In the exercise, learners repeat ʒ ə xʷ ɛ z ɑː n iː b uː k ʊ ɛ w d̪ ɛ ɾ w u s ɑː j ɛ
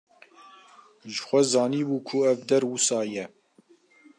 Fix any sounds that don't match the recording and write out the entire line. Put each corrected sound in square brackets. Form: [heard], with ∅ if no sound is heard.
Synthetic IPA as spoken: ʒ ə xʷ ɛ z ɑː n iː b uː [kʰ] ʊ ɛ [v] d̪ ɛ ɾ w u s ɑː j ɛ